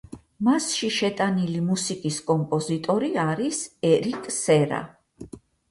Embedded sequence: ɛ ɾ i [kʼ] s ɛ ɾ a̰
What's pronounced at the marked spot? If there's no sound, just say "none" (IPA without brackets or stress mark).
kʼ